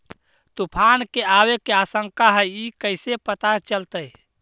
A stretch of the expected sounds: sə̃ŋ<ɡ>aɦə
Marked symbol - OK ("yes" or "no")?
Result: no